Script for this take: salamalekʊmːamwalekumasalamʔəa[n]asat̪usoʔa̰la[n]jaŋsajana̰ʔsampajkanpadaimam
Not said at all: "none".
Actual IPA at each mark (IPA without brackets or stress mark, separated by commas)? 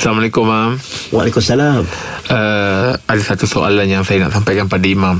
d, n